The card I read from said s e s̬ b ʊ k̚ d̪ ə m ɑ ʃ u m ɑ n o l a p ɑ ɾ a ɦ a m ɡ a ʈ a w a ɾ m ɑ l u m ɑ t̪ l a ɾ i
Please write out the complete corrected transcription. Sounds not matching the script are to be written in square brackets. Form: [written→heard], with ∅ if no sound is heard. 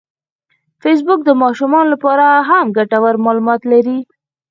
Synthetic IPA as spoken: [s→f] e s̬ b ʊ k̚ d̪ ə m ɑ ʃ u m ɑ n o l a p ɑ ɾ a ɦ a m ɡ a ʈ a w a ɾ m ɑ l u m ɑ t̪ l a ɾ i